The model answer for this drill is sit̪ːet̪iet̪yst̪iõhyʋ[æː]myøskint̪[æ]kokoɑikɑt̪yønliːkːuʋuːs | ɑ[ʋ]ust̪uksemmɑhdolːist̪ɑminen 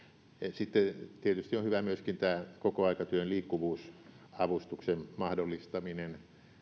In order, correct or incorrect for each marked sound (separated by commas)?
incorrect, incorrect, correct